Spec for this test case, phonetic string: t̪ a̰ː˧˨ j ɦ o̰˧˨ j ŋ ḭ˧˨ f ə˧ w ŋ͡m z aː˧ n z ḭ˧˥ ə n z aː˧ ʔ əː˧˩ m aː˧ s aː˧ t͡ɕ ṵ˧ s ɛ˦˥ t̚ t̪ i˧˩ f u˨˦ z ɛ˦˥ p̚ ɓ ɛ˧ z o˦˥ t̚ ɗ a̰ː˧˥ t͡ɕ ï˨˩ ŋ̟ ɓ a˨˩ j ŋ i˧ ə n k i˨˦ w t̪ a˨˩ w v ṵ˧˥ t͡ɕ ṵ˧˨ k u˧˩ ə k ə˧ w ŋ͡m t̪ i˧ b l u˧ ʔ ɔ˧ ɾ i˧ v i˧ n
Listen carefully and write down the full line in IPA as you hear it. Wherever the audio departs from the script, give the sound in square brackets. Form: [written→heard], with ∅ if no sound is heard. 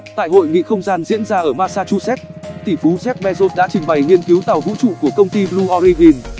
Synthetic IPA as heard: t̪ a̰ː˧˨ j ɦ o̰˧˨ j ŋ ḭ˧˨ [f→x] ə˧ w ŋ͡m z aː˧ n z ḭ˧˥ ə n z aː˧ ʔ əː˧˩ m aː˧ s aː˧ t͡ɕ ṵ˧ s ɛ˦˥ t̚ t̪ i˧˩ f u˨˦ z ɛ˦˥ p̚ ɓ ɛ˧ z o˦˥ t̚ ɗ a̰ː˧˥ t͡ɕ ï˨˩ ŋ̟ ɓ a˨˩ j ŋ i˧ ə n k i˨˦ w t̪ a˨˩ w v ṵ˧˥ t͡ɕ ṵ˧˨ k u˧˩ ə k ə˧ w ŋ͡m t̪ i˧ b l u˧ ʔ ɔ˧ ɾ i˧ v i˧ n